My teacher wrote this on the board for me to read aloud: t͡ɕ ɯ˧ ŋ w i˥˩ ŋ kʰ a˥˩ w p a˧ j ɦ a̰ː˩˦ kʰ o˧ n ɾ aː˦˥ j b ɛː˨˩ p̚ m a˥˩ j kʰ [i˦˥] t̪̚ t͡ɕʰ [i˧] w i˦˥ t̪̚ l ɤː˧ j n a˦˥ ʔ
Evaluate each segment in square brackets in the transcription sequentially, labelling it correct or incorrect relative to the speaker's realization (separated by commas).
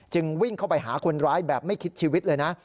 correct, incorrect